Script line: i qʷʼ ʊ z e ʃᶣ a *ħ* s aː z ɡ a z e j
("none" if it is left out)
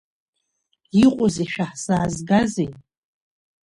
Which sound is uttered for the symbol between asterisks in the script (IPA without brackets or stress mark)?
ħ